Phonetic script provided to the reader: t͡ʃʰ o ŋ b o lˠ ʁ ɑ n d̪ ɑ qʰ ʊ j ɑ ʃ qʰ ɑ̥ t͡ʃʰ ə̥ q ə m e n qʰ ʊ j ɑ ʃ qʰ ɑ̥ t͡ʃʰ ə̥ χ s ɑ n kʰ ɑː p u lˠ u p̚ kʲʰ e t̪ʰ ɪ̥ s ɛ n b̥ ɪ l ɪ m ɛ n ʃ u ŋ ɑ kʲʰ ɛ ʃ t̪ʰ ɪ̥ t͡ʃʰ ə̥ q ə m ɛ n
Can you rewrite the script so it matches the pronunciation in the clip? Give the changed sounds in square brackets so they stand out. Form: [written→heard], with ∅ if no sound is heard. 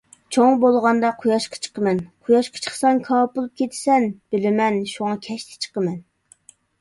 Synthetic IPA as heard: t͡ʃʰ o ŋ b o lˠ ʁ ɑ n d̪ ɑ qʰ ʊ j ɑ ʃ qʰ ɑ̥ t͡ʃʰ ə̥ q ə m [e→ɛ] n qʰ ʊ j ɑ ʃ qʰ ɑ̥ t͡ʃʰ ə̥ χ s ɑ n kʰ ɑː p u lˠ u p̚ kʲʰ e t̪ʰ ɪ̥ s ɛ n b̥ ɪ l ɪ m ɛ n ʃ u ŋ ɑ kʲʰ ɛ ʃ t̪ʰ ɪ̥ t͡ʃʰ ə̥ q ə m ɛ n

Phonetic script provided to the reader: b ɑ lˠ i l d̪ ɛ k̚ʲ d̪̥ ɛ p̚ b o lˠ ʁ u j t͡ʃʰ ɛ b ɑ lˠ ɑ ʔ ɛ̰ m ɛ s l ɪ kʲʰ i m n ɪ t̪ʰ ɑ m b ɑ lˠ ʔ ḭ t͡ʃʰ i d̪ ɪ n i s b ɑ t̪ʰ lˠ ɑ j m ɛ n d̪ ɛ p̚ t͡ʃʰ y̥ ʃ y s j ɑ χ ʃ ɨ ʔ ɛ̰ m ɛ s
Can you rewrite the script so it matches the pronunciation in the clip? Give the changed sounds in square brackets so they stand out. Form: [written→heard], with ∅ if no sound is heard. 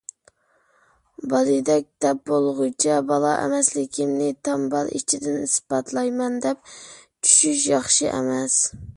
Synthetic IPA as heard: b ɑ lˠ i [l→∅] d̪ ɛ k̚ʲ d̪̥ ɛ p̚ b o lˠ ʁ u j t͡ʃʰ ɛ b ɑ lˠ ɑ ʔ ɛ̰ m ɛ s l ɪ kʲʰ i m n ɪ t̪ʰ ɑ m b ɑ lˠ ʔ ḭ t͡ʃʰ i d̪ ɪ n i s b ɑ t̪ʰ lˠ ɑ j m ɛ n d̪ ɛ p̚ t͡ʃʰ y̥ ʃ y [s→ʃ] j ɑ χ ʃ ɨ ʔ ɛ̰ m ɛ s

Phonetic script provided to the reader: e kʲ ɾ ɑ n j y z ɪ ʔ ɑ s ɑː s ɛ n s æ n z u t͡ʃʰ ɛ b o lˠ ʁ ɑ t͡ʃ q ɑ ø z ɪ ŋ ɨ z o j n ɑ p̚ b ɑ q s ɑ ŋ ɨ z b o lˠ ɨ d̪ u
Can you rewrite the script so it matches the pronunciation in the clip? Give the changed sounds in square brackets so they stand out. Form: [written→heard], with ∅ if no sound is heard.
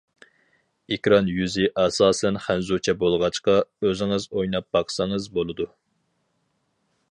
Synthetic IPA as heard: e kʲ ɾ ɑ n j y z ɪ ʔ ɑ s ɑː s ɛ n [s→χ] æ n z u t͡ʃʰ ɛ b o lˠ ʁ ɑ t͡ʃ q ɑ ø z ɪ ŋ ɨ z o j n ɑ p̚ b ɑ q s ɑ ŋ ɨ z b o lˠ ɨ d̪ u

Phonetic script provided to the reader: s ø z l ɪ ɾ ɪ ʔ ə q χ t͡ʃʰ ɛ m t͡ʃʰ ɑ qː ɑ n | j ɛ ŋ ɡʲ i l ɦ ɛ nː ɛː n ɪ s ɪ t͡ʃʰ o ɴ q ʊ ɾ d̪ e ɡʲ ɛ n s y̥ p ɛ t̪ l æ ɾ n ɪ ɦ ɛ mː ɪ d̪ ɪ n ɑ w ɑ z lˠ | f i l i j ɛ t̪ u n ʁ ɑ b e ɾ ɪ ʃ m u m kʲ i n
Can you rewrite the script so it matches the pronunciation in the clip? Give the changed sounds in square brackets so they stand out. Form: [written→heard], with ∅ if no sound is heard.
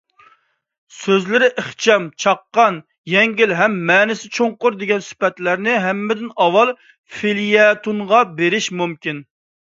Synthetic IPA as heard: s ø z l ɪ ɾ ɪ ʔ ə [q→∅] χ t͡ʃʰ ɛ m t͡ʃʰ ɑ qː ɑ n | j ɛ ŋ ɡʲ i l ɦ ɛ [nː→mː] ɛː n ɪ s ɪ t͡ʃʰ o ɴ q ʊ ɾ d̪ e ɡʲ ɛ n s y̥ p ɛ t̪ l æ ɾ n ɪ ɦ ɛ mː ɪ d̪ ɪ n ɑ w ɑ [z→∅] lˠ | f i l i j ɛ t̪ u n ʁ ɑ b e ɾ ɪ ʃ m u m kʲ i n

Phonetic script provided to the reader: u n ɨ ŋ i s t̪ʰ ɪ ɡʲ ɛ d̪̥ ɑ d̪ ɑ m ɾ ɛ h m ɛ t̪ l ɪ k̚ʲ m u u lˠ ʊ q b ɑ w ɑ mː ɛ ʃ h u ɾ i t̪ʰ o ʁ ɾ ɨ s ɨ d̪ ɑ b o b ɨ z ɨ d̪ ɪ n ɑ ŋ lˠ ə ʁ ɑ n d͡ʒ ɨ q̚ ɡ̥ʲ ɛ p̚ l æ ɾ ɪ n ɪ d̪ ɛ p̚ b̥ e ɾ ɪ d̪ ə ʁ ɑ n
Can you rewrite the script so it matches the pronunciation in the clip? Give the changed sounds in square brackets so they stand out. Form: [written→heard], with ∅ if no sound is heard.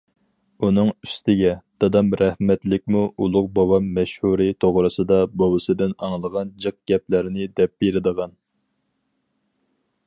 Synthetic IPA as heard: u n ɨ ŋ [i→y] s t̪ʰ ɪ ɡʲ ɛ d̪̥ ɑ d̪ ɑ m ɾ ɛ h m ɛ t̪ l ɪ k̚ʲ m u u lˠ ʊ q b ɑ w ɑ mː ɛ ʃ h u ɾ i t̪ʰ o ʁ ɾ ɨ s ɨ d̪ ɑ b o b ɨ [z→s] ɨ d̪ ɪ n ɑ ŋ lˠ ə ʁ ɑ n d͡ʒ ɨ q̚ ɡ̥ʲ ɛ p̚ l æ ɾ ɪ n ɪ d̪ ɛ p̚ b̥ e ɾ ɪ d̪ ə ʁ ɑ n

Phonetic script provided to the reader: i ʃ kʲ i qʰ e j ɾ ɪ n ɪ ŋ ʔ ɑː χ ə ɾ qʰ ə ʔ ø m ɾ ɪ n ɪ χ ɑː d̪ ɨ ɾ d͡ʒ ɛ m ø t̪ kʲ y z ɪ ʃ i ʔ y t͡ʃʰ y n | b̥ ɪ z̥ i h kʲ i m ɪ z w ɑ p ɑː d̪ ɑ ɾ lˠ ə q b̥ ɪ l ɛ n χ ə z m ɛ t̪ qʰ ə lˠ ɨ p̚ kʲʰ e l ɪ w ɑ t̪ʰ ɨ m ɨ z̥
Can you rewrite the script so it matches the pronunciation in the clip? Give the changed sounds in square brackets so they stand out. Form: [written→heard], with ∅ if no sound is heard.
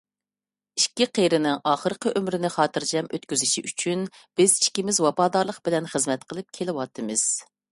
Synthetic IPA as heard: i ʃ kʲ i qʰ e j ɾ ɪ n ɪ ŋ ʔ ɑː χ ə ɾ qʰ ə ʔ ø m ɾ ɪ n ɪ χ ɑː [d̪→t̪] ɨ ɾ d͡ʒ ɛ m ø t̪ kʲ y z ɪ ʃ i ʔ y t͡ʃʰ y n | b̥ ɪ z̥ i [h→ʃ] kʲ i m ɪ z w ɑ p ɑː d̪ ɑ ɾ lˠ ə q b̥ ɪ l ɛ n χ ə z m ɛ t̪ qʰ ə lˠ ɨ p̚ kʲʰ e l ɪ w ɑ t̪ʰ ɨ m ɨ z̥

